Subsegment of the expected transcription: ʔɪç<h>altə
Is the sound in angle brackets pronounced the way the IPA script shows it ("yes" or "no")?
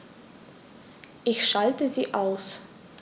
no